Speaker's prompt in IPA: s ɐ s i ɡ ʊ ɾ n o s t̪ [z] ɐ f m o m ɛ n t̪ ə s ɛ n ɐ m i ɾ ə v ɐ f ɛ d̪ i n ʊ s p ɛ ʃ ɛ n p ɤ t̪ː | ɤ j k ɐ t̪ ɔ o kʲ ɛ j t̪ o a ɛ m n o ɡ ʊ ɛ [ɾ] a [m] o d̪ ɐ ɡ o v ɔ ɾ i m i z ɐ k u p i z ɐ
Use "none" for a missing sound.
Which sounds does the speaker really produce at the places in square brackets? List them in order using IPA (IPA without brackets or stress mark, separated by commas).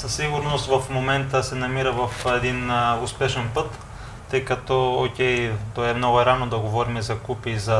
v, ɾ, n